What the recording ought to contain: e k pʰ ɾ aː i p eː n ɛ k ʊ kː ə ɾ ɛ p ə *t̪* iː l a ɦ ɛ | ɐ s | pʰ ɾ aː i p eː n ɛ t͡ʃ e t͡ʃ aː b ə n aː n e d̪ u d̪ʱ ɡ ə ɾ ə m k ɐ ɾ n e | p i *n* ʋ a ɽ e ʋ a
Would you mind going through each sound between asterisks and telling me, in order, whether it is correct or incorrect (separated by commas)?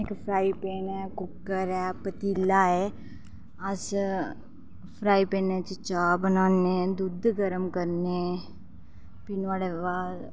correct, correct